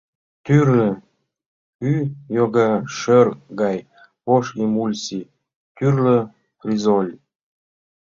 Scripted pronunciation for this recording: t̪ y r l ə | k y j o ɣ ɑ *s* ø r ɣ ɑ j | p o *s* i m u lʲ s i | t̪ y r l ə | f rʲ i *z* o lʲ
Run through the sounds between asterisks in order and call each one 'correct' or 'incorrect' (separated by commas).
incorrect, incorrect, correct